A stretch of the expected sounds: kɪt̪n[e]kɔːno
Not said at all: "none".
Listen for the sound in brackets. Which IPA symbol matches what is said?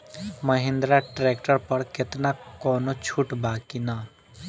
a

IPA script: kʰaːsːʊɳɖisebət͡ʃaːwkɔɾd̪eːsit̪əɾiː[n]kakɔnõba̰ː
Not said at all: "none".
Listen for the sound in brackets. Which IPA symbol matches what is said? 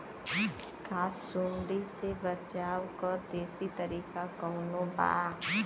none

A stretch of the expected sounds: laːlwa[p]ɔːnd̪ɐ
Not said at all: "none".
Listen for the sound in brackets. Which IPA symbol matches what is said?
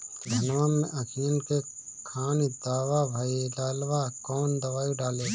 k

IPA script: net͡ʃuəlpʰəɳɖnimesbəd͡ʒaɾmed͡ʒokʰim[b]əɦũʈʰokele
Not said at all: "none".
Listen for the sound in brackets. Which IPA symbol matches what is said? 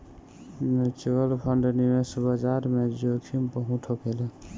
p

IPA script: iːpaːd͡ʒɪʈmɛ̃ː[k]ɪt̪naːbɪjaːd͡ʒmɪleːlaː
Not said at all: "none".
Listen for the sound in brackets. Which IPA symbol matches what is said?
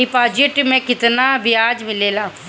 k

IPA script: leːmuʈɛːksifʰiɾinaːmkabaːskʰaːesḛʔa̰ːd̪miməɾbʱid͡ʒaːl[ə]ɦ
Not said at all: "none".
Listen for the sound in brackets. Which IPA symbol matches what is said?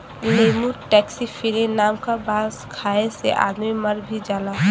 a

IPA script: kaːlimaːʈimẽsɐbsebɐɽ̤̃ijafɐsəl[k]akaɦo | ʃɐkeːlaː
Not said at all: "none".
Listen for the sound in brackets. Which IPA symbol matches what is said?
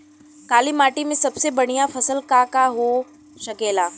k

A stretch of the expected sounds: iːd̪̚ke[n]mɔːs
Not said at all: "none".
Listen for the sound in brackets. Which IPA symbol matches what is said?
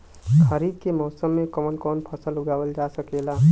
none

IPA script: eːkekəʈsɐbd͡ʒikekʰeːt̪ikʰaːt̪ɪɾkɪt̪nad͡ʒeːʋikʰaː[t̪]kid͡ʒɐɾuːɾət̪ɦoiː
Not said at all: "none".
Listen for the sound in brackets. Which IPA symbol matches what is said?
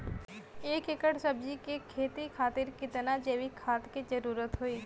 t̪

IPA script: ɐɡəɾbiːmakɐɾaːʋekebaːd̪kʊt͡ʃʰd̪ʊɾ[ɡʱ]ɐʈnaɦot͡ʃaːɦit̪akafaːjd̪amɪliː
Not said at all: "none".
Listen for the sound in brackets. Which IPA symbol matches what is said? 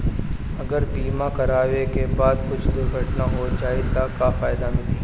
ɡʱ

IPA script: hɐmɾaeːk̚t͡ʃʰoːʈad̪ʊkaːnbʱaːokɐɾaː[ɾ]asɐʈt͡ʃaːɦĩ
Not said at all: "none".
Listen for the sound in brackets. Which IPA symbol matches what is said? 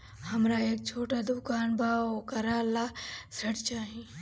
l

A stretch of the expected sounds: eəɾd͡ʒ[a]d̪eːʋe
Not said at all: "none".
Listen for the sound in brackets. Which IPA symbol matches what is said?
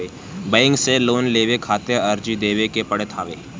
i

